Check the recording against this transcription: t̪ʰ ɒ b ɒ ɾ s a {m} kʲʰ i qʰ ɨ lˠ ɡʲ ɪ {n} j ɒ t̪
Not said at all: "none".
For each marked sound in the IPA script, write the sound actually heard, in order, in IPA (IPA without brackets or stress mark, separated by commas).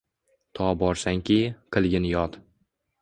ŋ, n